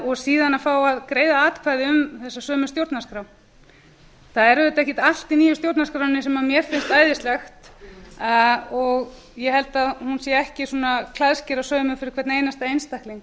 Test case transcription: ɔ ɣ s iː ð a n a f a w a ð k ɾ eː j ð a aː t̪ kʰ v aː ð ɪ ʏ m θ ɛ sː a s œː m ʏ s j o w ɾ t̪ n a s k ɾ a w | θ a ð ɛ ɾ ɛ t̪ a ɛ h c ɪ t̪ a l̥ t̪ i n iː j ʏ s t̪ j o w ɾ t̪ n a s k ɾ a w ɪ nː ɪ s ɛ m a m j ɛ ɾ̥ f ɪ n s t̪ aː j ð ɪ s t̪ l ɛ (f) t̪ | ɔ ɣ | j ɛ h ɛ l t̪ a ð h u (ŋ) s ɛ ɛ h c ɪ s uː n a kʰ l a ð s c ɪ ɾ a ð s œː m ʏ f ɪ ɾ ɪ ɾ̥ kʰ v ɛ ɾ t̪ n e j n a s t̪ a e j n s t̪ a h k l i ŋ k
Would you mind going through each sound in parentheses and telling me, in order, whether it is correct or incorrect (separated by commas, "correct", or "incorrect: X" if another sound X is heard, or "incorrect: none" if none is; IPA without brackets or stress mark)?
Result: incorrect: x, incorrect: n